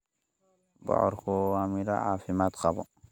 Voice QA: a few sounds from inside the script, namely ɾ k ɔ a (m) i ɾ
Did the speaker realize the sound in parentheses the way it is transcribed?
yes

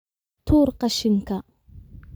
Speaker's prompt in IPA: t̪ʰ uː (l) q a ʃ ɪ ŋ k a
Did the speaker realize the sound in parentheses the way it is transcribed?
no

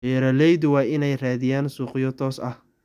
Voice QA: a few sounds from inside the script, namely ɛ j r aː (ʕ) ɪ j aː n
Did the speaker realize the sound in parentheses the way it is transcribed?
no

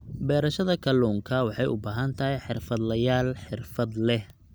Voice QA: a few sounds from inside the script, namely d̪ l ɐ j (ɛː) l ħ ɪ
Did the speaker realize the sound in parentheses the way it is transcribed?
no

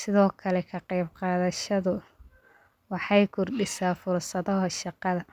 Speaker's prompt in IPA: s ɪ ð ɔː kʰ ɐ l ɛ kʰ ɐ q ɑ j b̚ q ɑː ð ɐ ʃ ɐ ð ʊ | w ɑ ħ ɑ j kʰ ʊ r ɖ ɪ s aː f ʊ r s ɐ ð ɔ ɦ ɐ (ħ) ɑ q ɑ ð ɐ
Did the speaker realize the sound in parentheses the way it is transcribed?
no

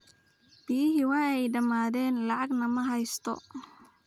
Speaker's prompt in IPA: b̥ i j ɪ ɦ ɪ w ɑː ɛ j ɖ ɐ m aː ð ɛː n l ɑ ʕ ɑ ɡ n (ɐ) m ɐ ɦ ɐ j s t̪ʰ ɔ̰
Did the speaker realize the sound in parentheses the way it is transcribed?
yes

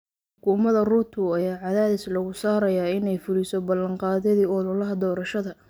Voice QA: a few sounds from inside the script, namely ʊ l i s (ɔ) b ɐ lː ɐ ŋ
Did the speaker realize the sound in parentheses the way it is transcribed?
yes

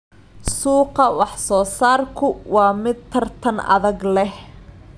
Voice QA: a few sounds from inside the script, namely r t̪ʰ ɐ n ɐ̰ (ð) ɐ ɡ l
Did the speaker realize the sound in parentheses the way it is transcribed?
yes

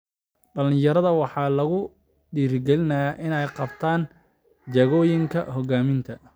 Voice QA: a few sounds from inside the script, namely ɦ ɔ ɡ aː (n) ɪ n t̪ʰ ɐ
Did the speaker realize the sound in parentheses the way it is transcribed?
no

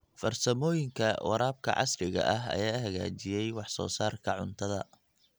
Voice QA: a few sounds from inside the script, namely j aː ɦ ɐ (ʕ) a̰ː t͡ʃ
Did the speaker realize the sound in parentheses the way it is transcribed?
no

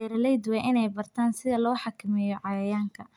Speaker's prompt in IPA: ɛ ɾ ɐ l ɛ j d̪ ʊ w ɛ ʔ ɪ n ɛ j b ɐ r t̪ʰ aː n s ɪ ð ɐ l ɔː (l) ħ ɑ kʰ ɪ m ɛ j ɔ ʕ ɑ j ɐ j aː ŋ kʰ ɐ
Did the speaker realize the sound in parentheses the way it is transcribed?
no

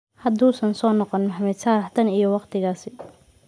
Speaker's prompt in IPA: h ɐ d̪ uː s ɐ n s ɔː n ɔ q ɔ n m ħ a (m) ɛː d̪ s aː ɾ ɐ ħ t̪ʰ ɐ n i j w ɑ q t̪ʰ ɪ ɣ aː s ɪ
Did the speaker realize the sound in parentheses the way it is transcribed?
yes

